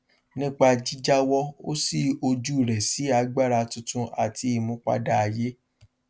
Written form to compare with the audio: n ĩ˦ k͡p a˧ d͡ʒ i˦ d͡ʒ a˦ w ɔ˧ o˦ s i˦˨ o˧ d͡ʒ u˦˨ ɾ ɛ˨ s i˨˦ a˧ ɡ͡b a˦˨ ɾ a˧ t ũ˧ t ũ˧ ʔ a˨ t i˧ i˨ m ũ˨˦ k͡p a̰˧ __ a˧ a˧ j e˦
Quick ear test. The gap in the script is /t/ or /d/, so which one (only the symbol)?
d